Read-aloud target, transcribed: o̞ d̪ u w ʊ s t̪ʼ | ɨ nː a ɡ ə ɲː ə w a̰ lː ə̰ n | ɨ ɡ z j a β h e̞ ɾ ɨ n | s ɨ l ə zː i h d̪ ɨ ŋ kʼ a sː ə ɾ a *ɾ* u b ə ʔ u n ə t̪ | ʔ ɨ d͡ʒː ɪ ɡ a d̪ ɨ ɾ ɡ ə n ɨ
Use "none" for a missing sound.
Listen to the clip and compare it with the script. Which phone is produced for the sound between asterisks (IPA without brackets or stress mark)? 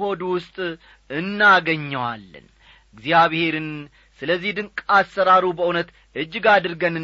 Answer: ɾ